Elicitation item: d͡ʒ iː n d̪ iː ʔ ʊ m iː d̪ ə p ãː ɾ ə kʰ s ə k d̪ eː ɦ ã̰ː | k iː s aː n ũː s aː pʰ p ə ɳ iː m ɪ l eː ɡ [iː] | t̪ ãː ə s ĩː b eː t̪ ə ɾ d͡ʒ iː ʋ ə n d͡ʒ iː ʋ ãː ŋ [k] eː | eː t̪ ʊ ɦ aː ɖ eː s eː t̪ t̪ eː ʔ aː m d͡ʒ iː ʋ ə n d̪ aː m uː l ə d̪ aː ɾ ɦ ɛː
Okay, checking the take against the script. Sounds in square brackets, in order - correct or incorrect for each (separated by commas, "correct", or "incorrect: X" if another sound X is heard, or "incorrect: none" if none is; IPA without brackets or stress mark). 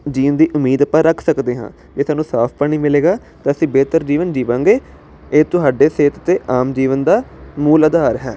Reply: incorrect: aː, incorrect: ɡ